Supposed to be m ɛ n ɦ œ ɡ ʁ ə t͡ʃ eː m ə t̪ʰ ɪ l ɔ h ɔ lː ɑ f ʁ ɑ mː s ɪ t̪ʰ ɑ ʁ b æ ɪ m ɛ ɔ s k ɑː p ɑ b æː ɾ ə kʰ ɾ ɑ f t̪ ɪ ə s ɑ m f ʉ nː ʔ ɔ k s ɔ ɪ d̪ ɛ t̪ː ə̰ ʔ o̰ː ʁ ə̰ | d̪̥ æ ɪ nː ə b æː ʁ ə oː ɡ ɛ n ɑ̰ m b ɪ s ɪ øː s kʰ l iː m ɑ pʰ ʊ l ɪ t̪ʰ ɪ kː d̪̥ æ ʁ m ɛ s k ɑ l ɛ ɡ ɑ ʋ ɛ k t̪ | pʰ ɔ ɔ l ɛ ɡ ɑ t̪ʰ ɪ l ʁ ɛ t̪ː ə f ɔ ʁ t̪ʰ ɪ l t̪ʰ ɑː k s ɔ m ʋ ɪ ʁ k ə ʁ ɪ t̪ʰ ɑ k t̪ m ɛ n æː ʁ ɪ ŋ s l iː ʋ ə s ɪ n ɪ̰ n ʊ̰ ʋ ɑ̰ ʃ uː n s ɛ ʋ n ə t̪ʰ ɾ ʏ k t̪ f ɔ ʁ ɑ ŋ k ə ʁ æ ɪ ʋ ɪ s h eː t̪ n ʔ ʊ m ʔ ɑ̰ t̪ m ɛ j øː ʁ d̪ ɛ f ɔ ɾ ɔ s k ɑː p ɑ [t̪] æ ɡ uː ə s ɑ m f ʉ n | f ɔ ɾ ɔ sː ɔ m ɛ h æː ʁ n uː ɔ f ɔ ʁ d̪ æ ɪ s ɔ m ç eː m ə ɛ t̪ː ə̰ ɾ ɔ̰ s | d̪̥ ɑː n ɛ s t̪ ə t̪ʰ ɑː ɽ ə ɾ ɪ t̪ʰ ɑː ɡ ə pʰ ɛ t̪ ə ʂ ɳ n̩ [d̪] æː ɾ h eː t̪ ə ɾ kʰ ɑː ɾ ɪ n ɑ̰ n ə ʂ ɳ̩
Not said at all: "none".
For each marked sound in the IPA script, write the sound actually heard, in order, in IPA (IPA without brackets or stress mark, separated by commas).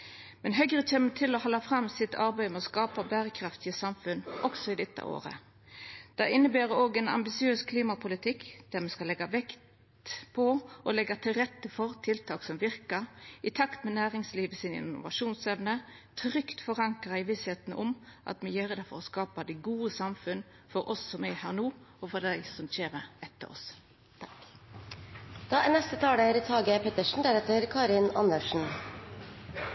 d̪, d̪